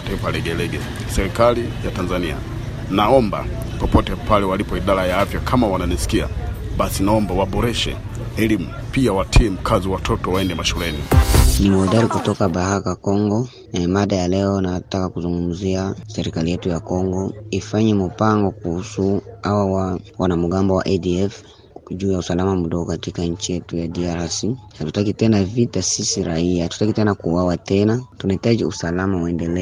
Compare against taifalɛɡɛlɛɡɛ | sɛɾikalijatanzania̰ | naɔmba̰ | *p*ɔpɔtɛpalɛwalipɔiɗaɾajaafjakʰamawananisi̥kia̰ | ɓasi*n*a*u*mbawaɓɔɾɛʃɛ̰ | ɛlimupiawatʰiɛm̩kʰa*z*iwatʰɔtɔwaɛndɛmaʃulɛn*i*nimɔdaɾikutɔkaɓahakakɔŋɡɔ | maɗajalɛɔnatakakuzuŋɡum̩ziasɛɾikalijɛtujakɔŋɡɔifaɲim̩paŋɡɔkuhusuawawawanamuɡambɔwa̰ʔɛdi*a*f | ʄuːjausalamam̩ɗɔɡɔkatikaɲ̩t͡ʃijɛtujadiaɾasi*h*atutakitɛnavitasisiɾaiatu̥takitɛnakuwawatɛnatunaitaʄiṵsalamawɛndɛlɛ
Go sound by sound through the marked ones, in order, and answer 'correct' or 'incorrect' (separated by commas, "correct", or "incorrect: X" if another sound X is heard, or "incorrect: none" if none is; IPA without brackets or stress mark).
correct, correct, incorrect: ɔ, correct, correct, incorrect: ɛ, correct